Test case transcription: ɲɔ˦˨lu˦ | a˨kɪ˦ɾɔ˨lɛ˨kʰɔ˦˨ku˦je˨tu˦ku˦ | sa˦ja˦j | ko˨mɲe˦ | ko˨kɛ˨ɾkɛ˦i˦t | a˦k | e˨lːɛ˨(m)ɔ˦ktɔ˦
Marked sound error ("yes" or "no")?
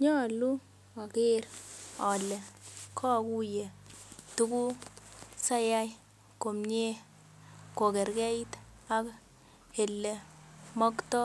no